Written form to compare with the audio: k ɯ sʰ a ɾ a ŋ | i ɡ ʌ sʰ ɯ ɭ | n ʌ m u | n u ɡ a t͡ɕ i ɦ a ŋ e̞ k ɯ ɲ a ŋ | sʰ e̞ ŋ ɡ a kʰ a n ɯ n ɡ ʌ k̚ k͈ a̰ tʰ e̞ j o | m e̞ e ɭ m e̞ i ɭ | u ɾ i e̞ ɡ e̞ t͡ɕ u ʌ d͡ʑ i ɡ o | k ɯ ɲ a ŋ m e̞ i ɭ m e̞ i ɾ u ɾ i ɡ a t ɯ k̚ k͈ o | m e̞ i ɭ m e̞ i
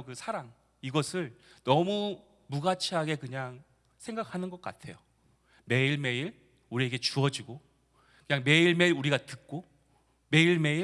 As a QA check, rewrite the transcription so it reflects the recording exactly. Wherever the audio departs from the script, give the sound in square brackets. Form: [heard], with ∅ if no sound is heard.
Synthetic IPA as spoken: k ɯ sʰ a ɾ a ŋ | i ɡ ʌ sʰ ɯ ɭ | n ʌ m u | [m] u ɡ a [t͡ɕʰ] i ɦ a [ɡ] e̞ k ɯ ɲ a ŋ | sʰ e̞ ŋ ɡ a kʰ a n ɯ n ɡ ʌ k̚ k͈ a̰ tʰ e̞ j o | m e̞ [i] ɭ m e̞ i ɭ | u ɾ i e̞ ɡ e̞ t͡ɕ u ʌ d͡ʑ i ɡ o | k ɯ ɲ a ŋ m e̞ i ɭ m e̞ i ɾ u ɾ i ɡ a t ɯ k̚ k͈ o | m e̞ i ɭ m e̞ i